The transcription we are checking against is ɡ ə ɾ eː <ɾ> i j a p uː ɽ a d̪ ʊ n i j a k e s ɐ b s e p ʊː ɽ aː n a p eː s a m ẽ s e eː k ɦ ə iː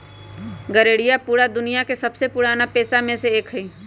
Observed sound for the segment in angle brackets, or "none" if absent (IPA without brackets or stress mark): ɽ